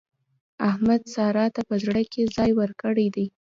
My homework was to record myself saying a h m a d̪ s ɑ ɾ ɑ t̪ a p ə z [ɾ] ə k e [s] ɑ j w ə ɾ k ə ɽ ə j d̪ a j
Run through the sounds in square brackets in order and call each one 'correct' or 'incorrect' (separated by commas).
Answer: incorrect, incorrect